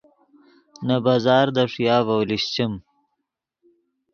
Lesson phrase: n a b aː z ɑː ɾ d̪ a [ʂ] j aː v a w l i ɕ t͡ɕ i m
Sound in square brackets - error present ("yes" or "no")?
no